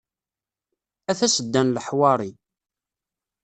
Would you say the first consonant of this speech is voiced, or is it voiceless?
voiceless